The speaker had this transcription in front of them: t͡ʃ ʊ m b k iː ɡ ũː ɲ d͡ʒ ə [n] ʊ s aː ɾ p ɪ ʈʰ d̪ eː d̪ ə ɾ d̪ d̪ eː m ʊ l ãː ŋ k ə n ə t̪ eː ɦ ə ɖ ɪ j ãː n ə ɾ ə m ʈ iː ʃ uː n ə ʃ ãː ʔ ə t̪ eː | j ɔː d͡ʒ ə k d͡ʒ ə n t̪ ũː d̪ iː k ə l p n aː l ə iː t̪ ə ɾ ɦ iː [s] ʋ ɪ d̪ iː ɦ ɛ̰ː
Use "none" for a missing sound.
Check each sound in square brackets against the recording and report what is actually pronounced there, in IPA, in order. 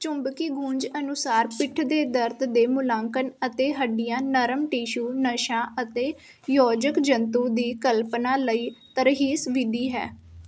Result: n, s

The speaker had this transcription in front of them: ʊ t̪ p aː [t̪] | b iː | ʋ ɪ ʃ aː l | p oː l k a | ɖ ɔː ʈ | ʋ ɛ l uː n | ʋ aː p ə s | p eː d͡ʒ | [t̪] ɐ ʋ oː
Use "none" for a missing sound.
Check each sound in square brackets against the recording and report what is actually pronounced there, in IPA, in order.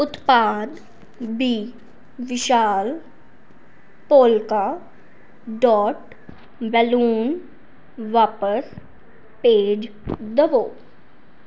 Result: d̪, d̪

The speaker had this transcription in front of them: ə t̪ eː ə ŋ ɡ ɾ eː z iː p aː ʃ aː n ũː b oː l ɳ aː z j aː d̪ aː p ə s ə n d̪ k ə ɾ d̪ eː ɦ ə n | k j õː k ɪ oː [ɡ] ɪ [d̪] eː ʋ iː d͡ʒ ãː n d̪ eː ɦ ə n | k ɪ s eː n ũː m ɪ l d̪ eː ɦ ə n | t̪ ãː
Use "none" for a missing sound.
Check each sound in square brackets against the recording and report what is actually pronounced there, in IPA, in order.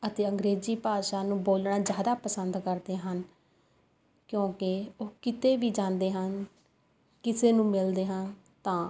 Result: k, t̪

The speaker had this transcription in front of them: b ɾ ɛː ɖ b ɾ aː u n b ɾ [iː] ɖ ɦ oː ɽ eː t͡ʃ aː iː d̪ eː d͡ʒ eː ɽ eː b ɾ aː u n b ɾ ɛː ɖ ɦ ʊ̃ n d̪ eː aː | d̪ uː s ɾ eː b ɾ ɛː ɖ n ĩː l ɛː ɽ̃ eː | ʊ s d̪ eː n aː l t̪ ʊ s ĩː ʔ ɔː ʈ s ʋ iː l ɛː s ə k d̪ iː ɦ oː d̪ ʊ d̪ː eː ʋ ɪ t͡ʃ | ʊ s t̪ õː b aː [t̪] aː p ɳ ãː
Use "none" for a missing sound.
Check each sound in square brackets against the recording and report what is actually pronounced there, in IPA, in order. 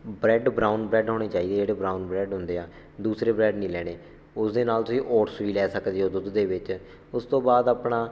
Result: ɛː, d̪

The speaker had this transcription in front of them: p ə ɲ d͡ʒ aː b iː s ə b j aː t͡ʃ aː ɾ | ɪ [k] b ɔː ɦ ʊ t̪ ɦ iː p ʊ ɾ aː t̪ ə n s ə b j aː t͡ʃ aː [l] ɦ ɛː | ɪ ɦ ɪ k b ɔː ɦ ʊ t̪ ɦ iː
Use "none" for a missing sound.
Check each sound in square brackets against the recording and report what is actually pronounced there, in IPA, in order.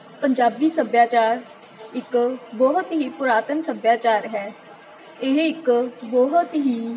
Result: k, ɾ

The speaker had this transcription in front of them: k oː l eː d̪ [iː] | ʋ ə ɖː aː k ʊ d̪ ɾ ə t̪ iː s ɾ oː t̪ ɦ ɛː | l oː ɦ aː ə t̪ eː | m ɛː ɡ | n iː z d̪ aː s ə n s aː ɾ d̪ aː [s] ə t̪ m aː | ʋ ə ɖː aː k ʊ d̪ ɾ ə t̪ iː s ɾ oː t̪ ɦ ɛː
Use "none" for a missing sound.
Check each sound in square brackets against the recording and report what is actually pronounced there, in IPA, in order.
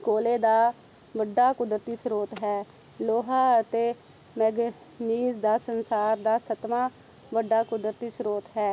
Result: aː, s

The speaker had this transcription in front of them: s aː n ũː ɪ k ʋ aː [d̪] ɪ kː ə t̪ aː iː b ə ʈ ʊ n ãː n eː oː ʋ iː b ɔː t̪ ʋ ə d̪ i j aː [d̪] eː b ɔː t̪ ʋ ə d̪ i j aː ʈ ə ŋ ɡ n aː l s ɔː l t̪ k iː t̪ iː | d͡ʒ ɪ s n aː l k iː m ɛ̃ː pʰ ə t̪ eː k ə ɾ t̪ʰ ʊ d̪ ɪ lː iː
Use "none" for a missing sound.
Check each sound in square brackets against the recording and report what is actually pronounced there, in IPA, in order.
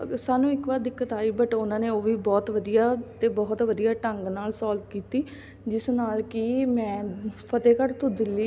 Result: d̪, t̪

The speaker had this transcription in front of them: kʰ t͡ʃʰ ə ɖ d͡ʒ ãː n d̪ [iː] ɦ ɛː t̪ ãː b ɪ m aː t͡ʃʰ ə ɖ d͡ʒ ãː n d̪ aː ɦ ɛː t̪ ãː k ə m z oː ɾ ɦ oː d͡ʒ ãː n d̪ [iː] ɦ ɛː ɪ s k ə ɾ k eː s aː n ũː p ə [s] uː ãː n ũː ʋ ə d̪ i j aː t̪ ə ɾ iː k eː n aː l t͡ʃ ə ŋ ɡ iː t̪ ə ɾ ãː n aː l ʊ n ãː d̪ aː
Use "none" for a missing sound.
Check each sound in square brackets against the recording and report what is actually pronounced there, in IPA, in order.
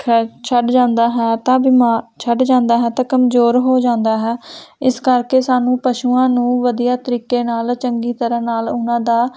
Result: aː, aː, ʃ

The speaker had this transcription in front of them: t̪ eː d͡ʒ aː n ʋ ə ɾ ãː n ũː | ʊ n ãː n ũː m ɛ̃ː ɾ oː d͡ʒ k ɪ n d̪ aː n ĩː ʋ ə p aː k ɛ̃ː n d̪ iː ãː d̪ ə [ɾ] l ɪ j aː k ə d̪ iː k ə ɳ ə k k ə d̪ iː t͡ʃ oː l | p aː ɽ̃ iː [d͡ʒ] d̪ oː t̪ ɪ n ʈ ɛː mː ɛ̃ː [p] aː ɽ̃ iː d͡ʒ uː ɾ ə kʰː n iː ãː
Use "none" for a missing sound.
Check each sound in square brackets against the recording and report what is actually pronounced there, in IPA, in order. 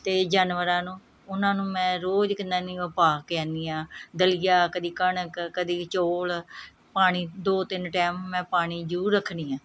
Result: none, none, p

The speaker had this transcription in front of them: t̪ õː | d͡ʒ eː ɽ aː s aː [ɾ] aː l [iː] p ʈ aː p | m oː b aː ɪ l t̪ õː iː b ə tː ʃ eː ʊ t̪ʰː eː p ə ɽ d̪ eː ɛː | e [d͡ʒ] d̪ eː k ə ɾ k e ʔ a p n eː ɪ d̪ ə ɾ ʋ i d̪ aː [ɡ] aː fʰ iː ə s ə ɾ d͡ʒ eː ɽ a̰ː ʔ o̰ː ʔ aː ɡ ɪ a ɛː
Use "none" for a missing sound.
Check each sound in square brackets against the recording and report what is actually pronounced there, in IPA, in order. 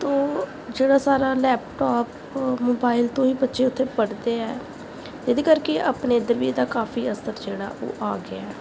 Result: ɾ, ɛː, none, k

